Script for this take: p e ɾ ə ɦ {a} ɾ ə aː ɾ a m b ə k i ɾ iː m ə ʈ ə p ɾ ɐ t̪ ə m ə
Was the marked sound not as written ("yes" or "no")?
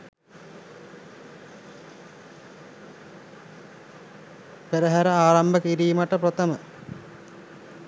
yes